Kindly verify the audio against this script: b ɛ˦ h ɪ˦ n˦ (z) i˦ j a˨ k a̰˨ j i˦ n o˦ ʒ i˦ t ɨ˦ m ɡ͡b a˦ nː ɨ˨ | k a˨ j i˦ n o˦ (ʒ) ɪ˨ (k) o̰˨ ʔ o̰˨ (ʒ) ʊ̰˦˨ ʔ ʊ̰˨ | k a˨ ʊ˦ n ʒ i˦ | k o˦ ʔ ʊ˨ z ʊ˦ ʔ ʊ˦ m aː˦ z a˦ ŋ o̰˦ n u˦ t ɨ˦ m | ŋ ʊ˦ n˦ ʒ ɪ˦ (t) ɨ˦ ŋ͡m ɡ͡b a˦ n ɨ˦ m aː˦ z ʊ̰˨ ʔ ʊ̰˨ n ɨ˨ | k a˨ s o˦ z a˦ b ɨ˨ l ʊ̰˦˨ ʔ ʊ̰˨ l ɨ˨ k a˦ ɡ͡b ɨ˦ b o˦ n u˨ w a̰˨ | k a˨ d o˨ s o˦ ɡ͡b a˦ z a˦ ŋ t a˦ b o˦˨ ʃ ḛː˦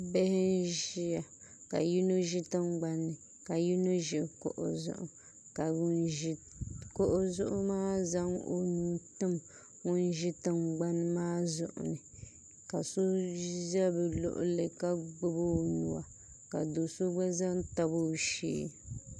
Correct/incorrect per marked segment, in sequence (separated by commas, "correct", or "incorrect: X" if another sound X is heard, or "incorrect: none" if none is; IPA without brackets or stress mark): incorrect: ʒ, correct, correct, incorrect: z, correct